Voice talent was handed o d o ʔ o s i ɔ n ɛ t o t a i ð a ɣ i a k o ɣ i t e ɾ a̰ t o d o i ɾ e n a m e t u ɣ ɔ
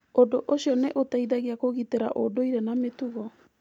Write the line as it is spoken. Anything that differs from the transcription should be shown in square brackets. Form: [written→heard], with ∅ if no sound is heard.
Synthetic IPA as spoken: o d o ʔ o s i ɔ n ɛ [t→ʔ] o t a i ð a ɣ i a k o ɣ i t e ɾ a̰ [t→ʔ] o d o i ɾ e n a m e t u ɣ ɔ